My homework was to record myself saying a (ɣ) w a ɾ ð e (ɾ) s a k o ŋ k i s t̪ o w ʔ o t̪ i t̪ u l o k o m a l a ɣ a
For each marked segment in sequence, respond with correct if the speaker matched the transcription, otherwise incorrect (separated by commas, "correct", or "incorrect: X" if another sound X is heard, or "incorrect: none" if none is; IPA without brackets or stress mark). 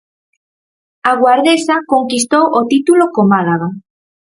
correct, incorrect: none